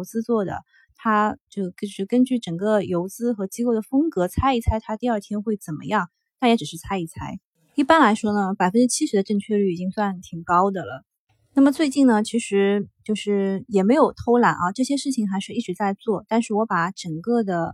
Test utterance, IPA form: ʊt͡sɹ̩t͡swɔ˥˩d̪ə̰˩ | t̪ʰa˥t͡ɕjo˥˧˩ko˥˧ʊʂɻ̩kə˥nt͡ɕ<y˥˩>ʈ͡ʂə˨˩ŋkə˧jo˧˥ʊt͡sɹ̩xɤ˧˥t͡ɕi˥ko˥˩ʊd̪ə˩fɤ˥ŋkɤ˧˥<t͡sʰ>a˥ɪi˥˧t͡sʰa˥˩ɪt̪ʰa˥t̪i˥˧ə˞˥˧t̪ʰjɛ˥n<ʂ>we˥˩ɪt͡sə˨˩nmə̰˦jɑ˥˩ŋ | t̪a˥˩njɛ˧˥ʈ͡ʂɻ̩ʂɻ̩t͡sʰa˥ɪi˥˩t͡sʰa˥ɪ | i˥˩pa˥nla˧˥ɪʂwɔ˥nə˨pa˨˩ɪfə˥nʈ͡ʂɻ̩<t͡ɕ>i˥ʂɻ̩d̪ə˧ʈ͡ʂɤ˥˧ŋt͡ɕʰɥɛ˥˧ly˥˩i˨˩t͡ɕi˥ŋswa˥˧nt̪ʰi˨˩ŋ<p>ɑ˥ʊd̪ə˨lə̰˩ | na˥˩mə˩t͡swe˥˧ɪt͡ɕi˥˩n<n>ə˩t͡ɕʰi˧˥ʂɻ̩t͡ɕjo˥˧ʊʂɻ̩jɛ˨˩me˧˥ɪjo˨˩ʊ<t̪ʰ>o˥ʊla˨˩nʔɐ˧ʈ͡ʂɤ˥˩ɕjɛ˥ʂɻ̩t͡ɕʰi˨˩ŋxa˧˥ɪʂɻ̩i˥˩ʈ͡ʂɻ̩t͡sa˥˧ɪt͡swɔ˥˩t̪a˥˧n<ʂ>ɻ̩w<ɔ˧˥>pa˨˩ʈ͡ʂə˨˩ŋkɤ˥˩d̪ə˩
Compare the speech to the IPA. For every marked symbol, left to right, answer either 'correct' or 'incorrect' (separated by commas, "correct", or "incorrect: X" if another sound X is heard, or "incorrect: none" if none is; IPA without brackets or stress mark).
correct, correct, incorrect: x, incorrect: t͡ɕʰ, incorrect: k, correct, correct, correct, correct